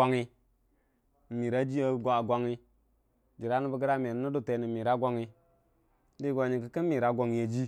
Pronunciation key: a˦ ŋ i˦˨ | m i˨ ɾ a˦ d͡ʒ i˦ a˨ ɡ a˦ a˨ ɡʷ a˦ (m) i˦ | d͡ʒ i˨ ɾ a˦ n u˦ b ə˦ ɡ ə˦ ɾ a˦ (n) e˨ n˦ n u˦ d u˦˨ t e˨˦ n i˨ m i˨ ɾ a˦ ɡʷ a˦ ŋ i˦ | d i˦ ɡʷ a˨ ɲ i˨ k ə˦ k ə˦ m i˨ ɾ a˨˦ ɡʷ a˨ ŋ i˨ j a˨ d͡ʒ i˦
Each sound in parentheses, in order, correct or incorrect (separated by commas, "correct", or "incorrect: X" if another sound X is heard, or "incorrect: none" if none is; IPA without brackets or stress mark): incorrect: ŋ, incorrect: m